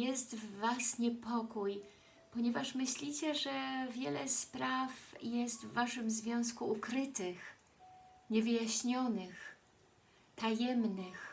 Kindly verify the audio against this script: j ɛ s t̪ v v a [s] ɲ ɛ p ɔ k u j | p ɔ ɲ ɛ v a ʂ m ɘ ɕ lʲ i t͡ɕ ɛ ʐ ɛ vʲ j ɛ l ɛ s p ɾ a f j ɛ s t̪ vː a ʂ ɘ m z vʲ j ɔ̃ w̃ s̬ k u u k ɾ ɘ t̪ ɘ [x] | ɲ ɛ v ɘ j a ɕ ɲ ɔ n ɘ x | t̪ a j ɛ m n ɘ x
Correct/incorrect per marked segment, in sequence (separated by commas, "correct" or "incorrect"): correct, correct